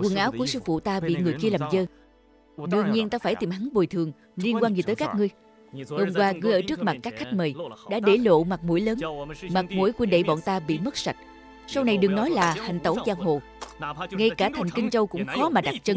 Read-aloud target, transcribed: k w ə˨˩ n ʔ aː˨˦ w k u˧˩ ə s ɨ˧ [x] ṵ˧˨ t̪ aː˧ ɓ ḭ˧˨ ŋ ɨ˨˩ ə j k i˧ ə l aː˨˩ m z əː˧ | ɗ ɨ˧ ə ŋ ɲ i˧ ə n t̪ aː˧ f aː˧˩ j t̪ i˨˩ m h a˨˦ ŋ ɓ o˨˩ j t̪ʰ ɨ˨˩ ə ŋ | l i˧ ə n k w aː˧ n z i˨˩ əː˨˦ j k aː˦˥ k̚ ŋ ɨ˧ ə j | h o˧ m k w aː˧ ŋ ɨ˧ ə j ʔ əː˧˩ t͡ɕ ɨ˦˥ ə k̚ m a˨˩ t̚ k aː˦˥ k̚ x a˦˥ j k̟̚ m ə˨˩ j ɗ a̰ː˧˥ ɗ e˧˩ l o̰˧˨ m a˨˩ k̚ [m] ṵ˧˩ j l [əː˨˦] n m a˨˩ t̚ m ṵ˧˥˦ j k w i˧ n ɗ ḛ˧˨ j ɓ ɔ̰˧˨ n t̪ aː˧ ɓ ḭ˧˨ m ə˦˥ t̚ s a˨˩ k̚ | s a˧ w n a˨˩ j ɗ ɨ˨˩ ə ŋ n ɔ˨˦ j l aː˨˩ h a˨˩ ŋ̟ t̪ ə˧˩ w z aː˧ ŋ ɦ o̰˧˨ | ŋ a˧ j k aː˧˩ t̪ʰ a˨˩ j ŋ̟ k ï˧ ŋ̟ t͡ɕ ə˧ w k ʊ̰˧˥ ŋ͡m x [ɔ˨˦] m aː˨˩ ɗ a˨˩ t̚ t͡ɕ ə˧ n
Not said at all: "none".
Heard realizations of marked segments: f, m, əː˨˦, ɔ˨˦

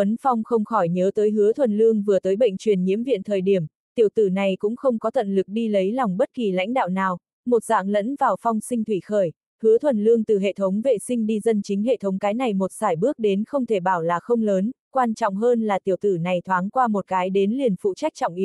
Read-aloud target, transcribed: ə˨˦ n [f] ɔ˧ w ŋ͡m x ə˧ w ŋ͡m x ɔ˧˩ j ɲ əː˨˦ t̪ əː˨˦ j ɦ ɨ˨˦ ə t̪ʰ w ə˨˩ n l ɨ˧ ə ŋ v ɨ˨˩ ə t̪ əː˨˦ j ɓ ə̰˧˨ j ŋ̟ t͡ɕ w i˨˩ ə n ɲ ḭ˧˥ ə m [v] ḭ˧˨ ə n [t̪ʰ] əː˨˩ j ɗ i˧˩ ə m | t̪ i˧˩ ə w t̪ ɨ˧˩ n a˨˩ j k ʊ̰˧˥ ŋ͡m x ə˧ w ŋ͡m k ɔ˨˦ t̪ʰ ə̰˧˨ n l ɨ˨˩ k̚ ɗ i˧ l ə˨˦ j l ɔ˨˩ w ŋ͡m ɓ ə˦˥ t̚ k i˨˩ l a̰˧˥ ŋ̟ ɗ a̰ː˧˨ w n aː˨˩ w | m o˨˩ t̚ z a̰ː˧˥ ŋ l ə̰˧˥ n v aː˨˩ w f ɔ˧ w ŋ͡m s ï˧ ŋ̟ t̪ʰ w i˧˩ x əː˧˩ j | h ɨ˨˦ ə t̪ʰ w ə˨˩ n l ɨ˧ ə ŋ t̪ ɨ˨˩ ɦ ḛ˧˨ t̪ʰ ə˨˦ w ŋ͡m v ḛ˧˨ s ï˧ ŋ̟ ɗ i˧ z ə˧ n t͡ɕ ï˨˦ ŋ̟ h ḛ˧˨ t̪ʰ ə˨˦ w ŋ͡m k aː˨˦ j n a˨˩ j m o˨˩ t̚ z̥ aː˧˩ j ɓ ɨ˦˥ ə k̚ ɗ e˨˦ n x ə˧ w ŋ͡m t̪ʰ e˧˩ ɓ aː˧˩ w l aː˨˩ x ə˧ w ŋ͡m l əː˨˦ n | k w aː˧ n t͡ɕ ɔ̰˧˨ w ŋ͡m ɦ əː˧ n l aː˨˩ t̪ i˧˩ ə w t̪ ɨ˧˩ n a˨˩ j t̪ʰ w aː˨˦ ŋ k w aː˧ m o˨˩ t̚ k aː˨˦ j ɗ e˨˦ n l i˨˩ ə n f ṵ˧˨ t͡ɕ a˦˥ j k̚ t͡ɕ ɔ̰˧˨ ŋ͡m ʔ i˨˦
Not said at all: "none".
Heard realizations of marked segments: f, v, t̪ʰ

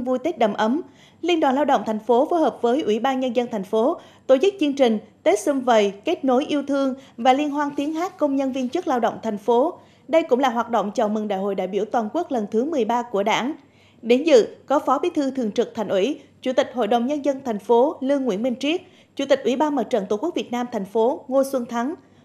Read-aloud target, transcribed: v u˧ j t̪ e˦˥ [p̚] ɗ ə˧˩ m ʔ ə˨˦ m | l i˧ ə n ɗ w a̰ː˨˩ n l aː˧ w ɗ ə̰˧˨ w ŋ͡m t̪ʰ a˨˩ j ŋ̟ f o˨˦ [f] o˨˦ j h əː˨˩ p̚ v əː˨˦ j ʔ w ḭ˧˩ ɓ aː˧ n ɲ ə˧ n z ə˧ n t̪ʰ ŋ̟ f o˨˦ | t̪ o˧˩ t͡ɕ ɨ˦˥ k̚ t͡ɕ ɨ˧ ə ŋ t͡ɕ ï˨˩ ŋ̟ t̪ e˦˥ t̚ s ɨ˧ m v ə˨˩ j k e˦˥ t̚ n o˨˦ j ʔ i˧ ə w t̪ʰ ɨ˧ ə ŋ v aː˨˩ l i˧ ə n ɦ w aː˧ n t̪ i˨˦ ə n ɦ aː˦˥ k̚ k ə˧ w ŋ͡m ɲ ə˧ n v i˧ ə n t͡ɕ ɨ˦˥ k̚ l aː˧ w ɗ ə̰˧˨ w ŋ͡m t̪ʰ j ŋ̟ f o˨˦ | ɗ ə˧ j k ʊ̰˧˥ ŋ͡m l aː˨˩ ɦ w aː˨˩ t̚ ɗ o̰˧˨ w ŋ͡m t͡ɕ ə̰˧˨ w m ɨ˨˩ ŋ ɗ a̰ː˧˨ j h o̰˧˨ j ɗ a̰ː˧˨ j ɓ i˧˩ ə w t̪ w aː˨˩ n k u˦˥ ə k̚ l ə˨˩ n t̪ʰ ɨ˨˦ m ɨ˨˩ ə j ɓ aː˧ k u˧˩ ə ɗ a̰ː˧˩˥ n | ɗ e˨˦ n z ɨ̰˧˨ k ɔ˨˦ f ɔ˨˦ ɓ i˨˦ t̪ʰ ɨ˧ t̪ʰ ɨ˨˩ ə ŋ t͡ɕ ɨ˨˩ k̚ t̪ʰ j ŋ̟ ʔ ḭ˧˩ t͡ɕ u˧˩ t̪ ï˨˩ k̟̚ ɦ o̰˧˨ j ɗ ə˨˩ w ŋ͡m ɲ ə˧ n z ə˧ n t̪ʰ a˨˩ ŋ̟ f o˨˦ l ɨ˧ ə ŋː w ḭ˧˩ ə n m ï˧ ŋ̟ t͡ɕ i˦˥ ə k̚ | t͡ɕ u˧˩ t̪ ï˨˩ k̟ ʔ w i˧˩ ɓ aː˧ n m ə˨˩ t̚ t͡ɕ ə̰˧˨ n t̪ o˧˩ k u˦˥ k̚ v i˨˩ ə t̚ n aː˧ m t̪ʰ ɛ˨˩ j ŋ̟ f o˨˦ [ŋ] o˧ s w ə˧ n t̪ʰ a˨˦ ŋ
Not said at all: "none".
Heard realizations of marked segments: t̚, f, ŋ

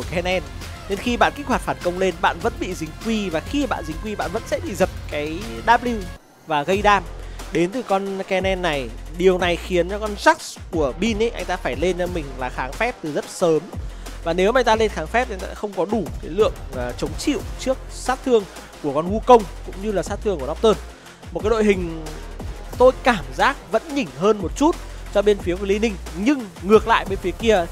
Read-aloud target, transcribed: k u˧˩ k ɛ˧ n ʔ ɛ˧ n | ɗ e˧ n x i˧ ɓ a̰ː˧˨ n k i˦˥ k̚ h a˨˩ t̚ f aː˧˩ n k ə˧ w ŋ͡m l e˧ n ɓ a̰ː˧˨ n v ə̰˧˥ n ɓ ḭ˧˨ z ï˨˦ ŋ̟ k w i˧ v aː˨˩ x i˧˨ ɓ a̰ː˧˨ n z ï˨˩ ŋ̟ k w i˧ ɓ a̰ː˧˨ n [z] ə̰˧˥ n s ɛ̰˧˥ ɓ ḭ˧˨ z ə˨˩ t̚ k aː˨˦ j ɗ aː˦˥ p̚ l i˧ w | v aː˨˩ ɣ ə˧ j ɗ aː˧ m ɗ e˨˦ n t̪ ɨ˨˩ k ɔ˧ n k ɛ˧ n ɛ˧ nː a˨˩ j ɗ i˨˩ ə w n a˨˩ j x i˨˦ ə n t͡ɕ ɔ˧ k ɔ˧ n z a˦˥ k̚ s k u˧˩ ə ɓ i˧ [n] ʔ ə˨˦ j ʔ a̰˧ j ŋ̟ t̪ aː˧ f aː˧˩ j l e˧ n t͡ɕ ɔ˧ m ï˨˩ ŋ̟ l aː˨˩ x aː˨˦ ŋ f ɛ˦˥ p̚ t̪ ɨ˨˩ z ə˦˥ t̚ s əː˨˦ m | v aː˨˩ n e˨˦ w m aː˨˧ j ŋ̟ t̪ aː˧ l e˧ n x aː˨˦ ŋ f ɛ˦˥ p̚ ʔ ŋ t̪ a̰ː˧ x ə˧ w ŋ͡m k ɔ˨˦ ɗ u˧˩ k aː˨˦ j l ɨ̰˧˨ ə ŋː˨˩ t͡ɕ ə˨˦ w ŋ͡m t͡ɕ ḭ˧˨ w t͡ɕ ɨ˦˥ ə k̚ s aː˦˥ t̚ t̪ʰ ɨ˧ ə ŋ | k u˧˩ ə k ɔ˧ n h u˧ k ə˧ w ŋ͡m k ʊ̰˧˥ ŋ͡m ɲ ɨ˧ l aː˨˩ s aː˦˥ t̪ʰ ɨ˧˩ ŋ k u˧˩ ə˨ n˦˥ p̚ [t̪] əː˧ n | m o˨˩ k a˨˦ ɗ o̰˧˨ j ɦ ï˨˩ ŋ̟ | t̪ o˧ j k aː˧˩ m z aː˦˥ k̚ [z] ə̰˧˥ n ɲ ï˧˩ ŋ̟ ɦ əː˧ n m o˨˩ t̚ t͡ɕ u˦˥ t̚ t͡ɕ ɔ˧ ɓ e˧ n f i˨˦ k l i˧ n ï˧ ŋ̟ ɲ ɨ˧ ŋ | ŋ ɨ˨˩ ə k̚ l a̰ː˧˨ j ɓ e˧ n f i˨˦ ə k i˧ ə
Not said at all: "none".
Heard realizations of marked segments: v, n, t̪, v

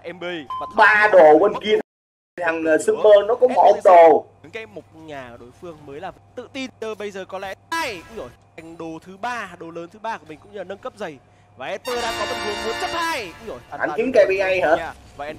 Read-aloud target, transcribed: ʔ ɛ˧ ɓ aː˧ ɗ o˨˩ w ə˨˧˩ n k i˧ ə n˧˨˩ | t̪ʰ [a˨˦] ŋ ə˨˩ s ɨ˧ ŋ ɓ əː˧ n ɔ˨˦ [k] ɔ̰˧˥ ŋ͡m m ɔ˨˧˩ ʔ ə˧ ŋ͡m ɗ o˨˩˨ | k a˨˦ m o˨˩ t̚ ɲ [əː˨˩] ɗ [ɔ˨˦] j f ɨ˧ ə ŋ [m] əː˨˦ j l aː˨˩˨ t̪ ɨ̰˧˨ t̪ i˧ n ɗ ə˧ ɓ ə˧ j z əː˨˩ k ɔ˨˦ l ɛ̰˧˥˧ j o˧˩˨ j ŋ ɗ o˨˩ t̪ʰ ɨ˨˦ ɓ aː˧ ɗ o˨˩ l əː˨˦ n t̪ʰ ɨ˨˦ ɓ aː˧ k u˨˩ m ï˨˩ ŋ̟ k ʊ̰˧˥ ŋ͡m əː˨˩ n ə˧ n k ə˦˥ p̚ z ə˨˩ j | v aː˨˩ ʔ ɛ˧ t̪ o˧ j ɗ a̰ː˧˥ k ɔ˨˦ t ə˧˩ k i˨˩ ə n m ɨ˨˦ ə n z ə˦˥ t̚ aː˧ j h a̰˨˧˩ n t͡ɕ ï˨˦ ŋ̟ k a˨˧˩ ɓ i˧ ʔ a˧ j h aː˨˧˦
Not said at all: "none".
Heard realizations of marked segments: a˨˩, k, aː˨˩, o˨˦, m

